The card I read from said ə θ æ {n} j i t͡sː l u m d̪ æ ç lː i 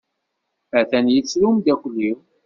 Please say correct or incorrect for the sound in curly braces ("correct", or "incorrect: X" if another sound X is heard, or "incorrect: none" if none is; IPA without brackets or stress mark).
correct